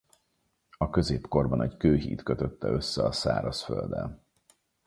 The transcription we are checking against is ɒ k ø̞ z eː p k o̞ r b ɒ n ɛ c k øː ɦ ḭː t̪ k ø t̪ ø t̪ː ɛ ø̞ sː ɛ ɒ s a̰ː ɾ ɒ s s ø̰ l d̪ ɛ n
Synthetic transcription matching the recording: ɒ k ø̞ z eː p k o̞ r b ɒ n ɛ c k øː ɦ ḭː t̪ k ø t̪ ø t̪ː ɛ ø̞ sː ɛ ɒ s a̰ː ɾ ɒ s f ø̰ l d̪ ɛ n